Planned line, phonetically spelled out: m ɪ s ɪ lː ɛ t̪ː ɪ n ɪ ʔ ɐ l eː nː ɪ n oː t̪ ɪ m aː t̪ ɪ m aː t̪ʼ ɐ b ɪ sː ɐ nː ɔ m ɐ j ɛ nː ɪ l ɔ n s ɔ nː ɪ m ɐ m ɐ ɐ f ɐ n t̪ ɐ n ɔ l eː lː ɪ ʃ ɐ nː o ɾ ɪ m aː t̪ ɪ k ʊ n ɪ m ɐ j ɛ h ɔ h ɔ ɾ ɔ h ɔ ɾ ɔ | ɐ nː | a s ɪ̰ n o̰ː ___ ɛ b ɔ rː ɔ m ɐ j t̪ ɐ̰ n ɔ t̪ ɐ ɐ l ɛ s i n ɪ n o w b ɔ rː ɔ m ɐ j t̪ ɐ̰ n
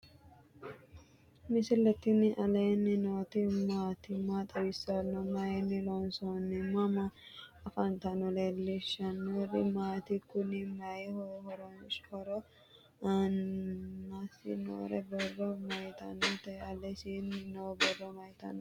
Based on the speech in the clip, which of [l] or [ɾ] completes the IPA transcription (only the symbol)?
ɾ